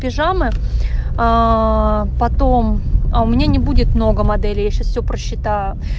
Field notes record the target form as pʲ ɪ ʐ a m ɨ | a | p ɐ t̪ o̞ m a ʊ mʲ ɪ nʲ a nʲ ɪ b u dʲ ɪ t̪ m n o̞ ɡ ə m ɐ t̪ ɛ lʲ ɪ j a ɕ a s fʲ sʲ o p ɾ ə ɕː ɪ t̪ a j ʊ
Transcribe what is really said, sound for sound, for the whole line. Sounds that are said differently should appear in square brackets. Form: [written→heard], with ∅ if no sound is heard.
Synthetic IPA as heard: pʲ ɪ ʐ a m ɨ | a | p ɐ t̪ o̞ m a ʊ mʲ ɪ nʲ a nʲ ɪ b u dʲ ɪ t̪ m n o̞ ɡ ə m ɐ [t̪→d̪] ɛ lʲ ɪ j a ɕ a s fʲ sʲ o p ɾ ə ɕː ɪ t̪ a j ʊ